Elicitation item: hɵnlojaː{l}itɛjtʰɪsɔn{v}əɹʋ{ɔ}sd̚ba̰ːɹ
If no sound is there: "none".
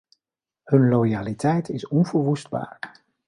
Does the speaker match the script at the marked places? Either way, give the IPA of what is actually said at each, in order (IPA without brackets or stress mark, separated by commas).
l, v, u